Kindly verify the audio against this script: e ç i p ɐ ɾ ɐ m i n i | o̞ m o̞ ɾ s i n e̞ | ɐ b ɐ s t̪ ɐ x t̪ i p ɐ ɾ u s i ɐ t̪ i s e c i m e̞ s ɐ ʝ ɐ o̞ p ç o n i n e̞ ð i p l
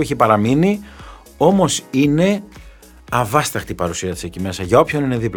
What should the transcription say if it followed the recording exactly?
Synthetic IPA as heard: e ç i p ɐ ɾ ɐ m i n i | o̞ m o̞ s i n e̞ | ɐ v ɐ s t̪ ɐ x t̪ i p ɐ ɾ u s i ɐ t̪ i s e c i m e̞ s ɐ ʝ ɐ o̞ p ç o n i n e̞ ð i p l